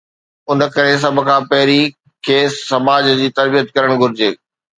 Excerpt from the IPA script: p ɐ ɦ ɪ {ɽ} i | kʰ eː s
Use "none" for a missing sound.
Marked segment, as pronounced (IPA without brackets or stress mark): ɾ